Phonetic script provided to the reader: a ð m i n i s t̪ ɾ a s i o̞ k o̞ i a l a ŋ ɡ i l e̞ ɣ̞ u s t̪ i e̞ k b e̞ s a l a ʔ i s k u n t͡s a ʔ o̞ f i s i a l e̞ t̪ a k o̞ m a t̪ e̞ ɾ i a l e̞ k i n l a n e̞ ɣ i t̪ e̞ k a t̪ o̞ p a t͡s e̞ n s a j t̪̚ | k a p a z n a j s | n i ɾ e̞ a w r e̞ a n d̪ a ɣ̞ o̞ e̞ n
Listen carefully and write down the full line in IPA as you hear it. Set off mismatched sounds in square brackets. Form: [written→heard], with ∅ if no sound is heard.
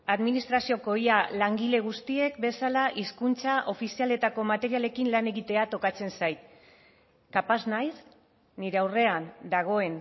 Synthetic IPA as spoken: a ð m i n i s t̪ ɾ a s i o̞ k o̞ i a l a ŋ ɡ i l e̞ ɣ̞ u s t̪ i e̞ k b e̞ s a l a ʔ i s k u n t͡s a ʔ o̞ f i s i a l e̞ t̪ a k o̞ m a t̪ e̞ ɾ i a l e̞ k i n l a n e̞ ɣ i t̪ e̞ [k→∅] a t̪ o̞ [p→k] a t͡s e̞ n s a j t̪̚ | k a p a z n a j s | n i ɾ e̞ a w r e̞ a n d̪ a ɣ̞ o̞ e̞ n